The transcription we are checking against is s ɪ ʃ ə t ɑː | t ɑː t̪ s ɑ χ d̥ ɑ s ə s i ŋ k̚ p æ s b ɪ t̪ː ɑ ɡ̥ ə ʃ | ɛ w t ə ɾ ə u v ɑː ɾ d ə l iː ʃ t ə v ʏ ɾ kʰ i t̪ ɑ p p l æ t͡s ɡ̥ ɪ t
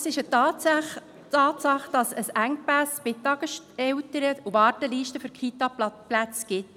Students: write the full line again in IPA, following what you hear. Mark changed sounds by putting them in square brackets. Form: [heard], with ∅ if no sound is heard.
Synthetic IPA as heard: s ɪ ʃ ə t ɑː | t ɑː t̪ s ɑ χ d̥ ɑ s ə s [æ] ŋ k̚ p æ s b ɪ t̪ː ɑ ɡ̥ ə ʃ | ɛ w t ə ɾ ə u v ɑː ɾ [t] ə l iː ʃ t ə [f] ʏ ɾ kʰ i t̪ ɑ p p l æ t͡s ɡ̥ ɪ t